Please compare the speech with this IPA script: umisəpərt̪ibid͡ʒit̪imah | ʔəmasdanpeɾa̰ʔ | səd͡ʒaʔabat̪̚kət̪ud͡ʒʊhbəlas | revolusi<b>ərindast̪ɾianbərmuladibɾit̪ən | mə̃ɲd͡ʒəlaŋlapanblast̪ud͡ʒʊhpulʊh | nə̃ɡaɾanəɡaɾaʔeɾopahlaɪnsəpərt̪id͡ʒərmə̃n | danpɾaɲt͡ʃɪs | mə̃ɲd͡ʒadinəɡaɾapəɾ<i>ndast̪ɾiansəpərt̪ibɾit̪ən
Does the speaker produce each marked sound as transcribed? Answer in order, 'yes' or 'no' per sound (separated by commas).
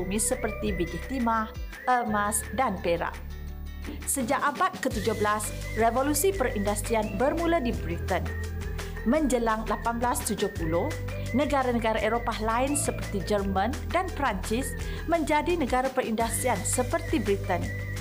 no, yes